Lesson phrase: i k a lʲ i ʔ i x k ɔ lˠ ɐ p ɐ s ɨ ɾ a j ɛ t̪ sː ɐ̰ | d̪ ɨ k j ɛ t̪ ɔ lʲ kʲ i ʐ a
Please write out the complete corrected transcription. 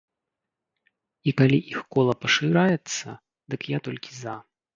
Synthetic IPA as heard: i k a lʲ i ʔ i x k ɔ lˠ ɐ p ɐ ʂ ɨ ɾ a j ɛ t̪ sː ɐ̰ | d̪ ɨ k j a t̪ ɔ lʲ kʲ i z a